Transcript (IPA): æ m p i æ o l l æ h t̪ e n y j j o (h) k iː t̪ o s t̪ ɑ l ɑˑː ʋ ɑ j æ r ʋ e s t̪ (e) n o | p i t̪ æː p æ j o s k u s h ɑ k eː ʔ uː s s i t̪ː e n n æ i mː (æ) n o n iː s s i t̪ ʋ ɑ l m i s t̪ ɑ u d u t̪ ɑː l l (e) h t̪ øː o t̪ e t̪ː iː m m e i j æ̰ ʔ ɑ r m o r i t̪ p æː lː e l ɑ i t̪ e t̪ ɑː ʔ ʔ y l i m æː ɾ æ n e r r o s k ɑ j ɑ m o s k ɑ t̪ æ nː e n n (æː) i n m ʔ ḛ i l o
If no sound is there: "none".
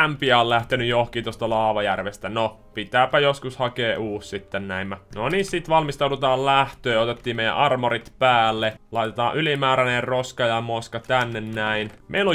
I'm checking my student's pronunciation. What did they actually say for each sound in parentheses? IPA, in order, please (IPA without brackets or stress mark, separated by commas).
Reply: h, æ, æ, æ, æ